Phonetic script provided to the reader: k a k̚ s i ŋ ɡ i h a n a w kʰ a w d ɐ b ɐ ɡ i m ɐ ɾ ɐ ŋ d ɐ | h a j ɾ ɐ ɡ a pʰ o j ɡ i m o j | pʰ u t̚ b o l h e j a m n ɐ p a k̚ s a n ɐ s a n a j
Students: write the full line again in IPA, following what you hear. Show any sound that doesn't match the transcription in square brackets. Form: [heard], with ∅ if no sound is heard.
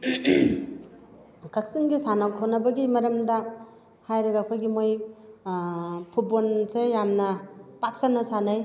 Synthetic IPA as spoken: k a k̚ s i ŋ ɡ i [s] a n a w kʰ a w [n] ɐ b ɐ ɡ i m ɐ ɾ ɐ [m] d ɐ | h a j ɾ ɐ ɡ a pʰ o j ɡ i m o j | pʰ u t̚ b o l [s] e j a m n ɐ p a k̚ s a n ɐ s a n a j